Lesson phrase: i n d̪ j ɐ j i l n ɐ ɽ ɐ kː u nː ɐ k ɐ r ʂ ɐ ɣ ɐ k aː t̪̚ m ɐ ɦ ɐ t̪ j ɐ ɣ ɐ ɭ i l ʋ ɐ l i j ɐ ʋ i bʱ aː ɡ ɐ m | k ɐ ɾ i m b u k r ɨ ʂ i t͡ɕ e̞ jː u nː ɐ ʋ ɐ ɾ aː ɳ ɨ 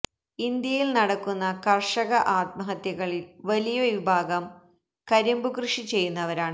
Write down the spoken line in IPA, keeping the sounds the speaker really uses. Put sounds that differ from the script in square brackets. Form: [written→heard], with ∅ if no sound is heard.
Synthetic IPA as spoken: i n d̪ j ɐ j i l n ɐ ɽ ɐ kː u nː ɐ k ɐ r ʂ ɐ ɣ ɐ [k→ʔ] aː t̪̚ m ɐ ɦ ɐ t̪ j ɐ ɣ ɐ ɭ i l ʋ ɐ l i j ɐ ʋ i bʱ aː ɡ ɐ m | k ɐ ɾ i m b u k r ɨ ʂ i t͡ɕ e̞ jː u nː ɐ ʋ ɐ ɾ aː ɳ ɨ